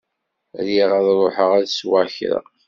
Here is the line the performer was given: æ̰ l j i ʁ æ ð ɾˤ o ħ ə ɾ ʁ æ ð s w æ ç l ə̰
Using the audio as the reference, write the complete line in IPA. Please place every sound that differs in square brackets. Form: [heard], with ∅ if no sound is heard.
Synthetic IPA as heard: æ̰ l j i ʁ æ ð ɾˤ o ħ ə [∅] ʁ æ ð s w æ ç [ɾ] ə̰